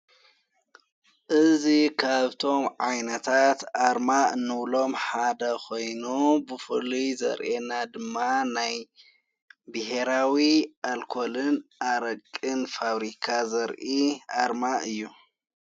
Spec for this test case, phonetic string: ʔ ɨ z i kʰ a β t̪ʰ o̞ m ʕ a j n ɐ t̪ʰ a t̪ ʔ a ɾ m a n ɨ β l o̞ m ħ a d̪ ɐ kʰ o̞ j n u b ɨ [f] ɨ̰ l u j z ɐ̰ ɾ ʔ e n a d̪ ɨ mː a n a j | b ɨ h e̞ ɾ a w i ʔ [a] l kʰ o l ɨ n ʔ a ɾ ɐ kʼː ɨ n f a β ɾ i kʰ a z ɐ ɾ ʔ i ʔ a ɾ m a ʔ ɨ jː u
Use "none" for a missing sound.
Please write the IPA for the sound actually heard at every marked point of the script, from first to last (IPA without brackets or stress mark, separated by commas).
f, a